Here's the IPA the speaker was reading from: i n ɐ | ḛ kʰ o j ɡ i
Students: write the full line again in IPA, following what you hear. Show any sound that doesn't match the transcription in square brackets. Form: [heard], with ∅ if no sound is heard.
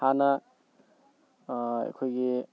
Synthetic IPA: [a] n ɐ | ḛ kʰ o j ɡ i